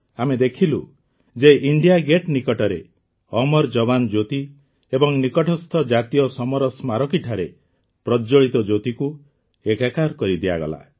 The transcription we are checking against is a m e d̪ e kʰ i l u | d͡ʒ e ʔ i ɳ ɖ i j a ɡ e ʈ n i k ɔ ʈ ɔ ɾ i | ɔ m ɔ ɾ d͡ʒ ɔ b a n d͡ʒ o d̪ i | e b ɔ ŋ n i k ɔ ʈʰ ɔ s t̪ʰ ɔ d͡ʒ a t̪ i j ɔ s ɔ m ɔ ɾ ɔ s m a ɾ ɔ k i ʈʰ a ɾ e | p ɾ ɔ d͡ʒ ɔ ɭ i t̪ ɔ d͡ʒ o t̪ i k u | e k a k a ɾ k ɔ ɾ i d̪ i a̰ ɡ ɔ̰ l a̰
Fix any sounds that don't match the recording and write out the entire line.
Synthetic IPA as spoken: a m e d̪ e kʰ i l u | d͡ʒ e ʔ i ɳ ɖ i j a ɡ e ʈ n i k ɔ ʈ ɔ ɾ e | ɔ m ɔ ɾ d͡ʒ ɔ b a n d͡ʒ o t̪ i | e b ɔ ŋ n i k ɔ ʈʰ ɔ s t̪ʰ ɔ d͡ʒ a t̪ i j ɔ s ɔ m ɔ ɾ ɔ s m a ɾ ɔ k i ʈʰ a ɾ e | p ɾ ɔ d͡ʒ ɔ ɭ i t̪ ɔ d͡ʒ o t̪ i k u | e k a k a ɾ k ɔ ɾ i d̪ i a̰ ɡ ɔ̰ l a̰